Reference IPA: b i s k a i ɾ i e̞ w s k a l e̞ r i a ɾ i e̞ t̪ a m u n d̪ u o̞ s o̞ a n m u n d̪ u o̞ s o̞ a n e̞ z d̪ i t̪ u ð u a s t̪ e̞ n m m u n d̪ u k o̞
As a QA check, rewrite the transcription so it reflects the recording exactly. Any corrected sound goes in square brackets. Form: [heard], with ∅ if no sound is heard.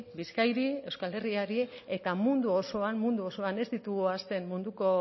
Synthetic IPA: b i s k a [j] ɾ i e̞ w s k a l e̞ r i a ɾ i e̞ t̪ a m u n d̪ u o̞ s o̞ a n m u n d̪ u o̞ s o̞ a n e̞ z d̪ i t̪ u [ɣ] u a s t̪ e̞ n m m u n d̪ u k o̞